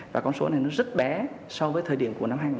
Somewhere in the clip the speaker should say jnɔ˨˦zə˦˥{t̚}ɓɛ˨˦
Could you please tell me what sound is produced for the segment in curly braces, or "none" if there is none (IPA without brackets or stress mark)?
t̚